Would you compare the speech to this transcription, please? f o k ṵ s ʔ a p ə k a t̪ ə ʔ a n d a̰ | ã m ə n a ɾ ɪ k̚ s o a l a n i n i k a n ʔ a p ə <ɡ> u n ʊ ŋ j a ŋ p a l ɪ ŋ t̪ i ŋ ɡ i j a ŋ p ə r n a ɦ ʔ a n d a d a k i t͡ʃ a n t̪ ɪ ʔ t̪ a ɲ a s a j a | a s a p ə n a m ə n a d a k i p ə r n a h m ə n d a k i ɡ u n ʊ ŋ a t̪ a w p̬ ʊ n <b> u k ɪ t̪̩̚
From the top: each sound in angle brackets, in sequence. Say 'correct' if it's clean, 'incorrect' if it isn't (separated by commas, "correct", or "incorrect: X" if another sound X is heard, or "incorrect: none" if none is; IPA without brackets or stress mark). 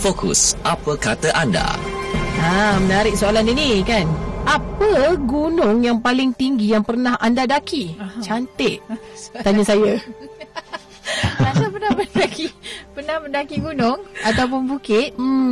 correct, correct